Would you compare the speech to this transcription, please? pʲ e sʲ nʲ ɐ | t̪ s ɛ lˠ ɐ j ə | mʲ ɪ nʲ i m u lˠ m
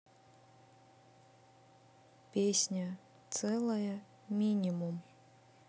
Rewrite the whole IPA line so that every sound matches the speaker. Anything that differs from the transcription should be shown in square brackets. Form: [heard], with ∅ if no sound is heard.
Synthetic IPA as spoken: pʲ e sʲ nʲ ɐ | t̪ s ɛ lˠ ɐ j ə | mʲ [i] nʲ i m u [∅] m